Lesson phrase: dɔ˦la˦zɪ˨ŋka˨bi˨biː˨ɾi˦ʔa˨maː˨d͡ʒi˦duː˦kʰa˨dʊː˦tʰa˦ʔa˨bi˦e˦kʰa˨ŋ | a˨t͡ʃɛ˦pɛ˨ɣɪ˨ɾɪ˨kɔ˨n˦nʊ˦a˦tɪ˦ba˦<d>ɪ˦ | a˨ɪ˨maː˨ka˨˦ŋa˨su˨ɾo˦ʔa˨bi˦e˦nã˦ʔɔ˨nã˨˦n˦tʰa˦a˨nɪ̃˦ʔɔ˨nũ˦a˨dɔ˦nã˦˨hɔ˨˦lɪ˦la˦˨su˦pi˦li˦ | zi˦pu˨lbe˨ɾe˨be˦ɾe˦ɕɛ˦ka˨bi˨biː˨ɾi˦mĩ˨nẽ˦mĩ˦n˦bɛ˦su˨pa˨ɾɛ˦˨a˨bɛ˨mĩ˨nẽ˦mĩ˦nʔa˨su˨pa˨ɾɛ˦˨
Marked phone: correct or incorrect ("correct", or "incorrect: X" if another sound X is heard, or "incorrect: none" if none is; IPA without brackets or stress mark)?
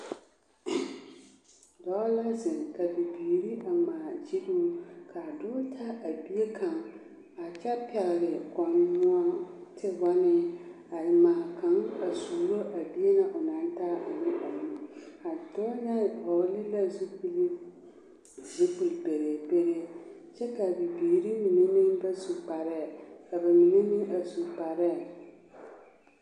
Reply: incorrect: n